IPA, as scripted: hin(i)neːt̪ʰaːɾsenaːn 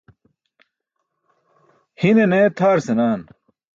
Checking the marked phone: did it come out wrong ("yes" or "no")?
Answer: yes